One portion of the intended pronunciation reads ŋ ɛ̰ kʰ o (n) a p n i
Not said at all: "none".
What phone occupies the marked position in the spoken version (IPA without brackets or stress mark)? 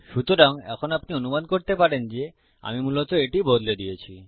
n